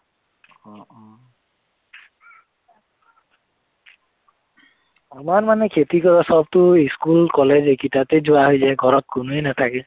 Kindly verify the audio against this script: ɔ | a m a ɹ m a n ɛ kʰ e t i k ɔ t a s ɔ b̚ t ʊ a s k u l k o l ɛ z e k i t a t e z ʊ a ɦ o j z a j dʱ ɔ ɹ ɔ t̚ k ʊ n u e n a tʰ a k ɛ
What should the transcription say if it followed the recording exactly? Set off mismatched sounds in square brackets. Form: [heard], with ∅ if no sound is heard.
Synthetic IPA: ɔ | a m a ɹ m a n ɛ kʰ e t i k ɔ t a s ɔ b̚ t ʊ [i] s k u l k [ɔ] l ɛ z e k i t a t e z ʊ a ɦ o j z a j [ɡʱ] ɔ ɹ ɔ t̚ k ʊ n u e n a tʰ a k ɛ